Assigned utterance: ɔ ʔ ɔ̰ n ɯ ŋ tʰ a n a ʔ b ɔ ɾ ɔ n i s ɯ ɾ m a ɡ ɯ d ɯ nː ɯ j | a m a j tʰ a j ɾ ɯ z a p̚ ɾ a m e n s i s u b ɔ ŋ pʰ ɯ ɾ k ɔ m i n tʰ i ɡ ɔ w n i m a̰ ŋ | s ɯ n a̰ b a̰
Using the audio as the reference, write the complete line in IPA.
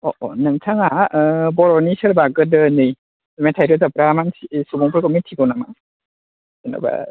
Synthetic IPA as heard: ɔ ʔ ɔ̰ n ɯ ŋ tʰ a ŋ a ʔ b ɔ ɾ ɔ n i s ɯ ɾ b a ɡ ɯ d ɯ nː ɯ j | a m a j tʰ a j ɾ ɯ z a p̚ ɾ a m a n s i s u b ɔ ŋ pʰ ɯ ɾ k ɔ m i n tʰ i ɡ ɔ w n a m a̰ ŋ | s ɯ n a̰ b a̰